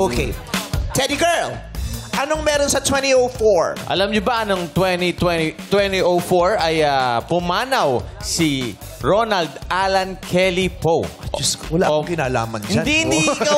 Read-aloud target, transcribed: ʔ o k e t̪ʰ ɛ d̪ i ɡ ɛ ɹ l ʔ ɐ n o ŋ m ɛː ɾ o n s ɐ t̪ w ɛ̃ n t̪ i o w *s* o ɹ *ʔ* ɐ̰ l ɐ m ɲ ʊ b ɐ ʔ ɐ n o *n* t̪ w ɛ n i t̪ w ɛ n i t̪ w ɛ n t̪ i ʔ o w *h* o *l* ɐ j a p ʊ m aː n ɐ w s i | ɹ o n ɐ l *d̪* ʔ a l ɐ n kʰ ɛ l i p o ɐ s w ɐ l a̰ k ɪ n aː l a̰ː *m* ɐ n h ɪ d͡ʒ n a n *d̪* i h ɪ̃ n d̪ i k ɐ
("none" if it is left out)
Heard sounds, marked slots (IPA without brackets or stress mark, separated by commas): f, ʔ, ŋ, f, ɹ, d̪, m, d̪